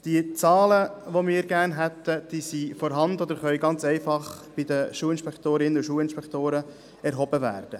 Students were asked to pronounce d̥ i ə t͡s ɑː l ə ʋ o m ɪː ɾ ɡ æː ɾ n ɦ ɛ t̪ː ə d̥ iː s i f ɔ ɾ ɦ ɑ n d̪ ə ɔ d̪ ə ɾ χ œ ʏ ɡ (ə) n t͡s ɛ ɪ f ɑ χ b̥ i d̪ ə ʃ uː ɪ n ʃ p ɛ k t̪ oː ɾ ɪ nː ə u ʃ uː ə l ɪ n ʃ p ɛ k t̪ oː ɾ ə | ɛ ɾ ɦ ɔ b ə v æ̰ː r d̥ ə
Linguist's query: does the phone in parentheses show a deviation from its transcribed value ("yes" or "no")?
yes